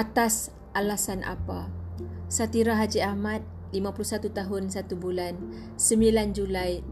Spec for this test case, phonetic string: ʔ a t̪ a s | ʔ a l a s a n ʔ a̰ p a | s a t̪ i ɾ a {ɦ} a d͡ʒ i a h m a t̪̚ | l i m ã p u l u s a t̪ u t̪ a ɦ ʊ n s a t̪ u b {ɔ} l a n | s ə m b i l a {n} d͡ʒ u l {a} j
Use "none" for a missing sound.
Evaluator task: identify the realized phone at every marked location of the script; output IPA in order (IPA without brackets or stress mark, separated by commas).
ɦ, u, n, a